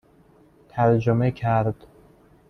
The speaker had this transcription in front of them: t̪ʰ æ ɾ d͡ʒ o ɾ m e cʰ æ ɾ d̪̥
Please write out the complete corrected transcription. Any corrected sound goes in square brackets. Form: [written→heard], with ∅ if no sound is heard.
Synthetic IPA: t̪ʰ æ ɾ d͡ʒ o [ɾ→∅] m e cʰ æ ɾ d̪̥